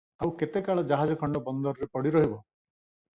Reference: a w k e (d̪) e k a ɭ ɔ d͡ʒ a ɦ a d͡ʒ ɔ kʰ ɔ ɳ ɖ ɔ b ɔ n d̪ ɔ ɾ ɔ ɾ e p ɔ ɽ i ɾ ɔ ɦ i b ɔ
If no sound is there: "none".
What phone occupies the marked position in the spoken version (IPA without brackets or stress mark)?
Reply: t̪